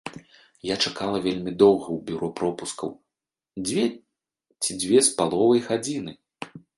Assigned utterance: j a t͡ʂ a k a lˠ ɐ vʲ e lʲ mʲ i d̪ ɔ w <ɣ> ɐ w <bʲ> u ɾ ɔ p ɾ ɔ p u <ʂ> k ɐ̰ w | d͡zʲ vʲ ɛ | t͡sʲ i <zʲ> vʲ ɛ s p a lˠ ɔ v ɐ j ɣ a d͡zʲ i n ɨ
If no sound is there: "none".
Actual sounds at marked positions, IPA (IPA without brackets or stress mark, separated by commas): ɣ, bʲ, s, d͡zʲ